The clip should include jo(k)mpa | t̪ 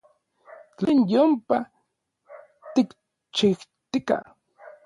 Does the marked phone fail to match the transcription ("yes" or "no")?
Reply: yes